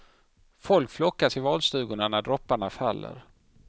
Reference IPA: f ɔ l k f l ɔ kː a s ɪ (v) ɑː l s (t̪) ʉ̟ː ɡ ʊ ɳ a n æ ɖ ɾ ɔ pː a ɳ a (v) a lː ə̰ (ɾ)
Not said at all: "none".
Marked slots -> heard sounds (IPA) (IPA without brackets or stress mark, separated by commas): v, t̪, f, ɾ